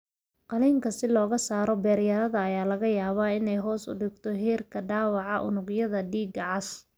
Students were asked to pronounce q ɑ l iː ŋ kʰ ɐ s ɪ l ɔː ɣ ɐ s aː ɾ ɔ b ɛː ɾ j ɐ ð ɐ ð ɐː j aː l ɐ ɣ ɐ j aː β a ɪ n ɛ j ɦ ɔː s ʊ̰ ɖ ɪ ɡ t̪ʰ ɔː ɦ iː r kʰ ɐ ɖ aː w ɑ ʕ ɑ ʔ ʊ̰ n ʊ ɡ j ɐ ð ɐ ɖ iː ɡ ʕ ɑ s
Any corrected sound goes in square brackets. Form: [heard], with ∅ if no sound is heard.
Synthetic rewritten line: q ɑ l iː ŋ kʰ ɐ s ɪ l ɔː ɣ ɐ s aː ɾ ɔ b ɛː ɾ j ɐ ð ɐ ð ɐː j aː l ɐ ɣ ɐ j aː β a ɪ n ɛ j ɦ ɔː s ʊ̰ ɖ ɪ ɡ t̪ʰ [ɔ] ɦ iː r kʰ ɐ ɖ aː w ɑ ʕ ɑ ʔ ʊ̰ n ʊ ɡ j ɐ ð ɐ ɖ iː ɡ ʕ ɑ s

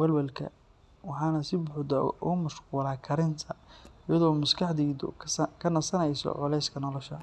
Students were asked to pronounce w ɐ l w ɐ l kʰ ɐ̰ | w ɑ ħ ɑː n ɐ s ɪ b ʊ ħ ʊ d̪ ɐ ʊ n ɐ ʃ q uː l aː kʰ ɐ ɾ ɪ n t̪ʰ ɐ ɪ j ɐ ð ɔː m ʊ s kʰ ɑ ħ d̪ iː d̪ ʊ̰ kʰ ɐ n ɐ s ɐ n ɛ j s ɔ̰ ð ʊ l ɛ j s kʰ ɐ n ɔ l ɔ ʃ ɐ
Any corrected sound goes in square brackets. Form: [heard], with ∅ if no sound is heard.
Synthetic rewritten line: w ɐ l w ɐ l kʰ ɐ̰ | w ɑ ħ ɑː n ɐ s ɪ b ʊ ħ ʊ d̪ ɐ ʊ [m] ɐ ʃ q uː l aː kʰ ɐ ɾ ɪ n t̪ʰ ɐ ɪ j ɐ ð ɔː m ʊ s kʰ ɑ ħ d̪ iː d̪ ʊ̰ kʰ ɐ n ɐ s ɐ n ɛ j s ɔ̰ [ʕ] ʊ l ɛ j s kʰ ɐ n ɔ l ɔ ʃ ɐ

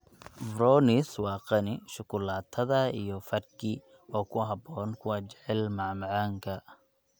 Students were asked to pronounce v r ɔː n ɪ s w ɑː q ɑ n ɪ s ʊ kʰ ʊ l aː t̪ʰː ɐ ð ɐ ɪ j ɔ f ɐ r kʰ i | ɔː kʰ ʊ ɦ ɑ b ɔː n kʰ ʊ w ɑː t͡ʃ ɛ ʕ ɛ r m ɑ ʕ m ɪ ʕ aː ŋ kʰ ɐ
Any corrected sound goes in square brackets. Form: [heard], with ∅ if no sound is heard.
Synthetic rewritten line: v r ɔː n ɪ s w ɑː q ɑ n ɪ [ʃ] ʊ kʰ ʊ l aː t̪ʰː ɐ ð ɐ [i] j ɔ f ɐ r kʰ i | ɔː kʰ ʊ ɦ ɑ b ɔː n kʰ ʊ w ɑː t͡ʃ ɛ ʕ ɛ [l] m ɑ ʕ m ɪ ʕ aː ŋ kʰ ɐ

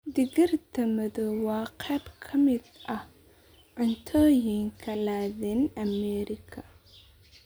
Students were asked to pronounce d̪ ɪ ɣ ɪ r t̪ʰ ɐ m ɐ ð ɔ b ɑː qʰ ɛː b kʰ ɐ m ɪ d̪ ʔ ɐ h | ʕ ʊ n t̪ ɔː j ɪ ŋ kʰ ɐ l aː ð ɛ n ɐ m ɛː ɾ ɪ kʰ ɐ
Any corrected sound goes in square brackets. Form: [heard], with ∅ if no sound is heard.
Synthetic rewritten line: d̪ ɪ ɣ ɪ r t̪ʰ ɐ m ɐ ð ɔ [w] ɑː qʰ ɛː b kʰ ɐ m ɪ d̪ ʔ ɐ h | ʕ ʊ n [t̪ʰ] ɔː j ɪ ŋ kʰ ɐ l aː ð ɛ n ɐ m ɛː ɾ ɪ kʰ ɐ

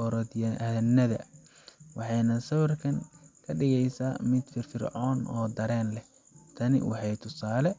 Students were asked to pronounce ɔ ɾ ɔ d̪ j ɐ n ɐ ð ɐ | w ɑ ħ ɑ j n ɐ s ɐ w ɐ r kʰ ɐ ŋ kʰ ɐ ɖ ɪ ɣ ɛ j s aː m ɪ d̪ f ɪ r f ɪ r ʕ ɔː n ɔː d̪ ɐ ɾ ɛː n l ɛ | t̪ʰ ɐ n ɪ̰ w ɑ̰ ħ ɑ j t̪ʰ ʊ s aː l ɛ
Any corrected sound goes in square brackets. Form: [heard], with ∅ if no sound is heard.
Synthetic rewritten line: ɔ ɾ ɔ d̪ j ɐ n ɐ ð ɐ | w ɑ ħ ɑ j n ɐ s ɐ w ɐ r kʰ ɐ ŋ kʰ ɐ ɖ ɪ ɣ ɛ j s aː m ɪ d̪ f ɪ r f ɪ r ʕ ɔː n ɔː d̪ ɐ ɾ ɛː n l ɛ | t̪ʰ ɐ n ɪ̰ w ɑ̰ ħ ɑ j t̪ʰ ʊ s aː l ɛ

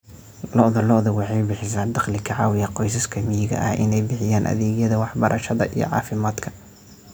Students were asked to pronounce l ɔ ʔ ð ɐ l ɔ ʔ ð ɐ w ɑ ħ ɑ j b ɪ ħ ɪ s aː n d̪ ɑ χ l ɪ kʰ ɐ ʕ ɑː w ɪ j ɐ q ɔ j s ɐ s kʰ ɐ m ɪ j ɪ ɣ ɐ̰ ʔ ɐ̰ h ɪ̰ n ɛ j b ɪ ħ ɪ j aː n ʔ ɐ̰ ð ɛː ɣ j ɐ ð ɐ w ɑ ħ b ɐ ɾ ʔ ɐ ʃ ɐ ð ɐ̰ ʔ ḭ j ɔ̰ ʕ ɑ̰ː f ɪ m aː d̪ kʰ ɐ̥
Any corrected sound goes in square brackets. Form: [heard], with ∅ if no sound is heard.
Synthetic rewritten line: l ɔ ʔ ð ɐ l ɔ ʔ ð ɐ w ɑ ħ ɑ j b ɪ ħ ɪ s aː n d̪ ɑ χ l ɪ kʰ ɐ ʕ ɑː w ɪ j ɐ q ɔ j s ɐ s kʰ ɐ m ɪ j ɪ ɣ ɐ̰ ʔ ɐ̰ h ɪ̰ n ɛ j b ɪ ħ ɪ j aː n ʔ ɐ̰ ð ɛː ɣ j ɐ ð ɐ w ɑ ħ b ɐ ɾ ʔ ɐ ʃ ɐ ð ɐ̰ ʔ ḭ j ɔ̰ ʕ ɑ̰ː f ɪ m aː d̪ kʰ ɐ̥

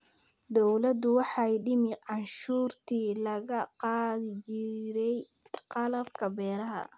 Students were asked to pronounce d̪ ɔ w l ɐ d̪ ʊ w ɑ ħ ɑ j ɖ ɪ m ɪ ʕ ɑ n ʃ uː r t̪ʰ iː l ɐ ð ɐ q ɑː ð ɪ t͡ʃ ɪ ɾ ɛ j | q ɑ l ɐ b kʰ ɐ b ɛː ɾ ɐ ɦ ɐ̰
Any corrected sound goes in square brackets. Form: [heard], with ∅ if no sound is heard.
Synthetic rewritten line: d̪ ɔ w l ɐ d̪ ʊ w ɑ ħ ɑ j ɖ ɪ m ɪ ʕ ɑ n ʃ uː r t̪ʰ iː l ɐ [ɣ] ɐ q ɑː ð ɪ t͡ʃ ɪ ɾ ɛ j | q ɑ l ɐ b kʰ ɐ b ɛː ɾ ɐ ɦ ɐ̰

